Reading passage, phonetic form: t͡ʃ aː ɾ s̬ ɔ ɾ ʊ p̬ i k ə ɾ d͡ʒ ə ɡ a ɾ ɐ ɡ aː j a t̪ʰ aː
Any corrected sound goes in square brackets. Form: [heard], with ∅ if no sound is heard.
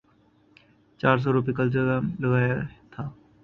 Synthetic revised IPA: t͡ʃ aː ɾ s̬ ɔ ɾ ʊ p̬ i k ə [l] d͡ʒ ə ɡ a [l] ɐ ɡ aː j a t̪ʰ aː